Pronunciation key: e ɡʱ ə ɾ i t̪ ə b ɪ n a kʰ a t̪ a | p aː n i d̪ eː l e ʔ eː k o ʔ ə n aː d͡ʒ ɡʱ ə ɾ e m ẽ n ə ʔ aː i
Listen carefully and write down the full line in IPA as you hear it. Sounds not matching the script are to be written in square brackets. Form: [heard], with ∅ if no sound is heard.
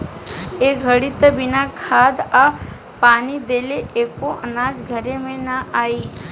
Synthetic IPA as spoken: e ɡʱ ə [ɽ] i t̪ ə b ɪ n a kʰ a [d̪] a | p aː n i d̪ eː l e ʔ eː k o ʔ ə n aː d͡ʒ ɡʱ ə ɾ e m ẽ n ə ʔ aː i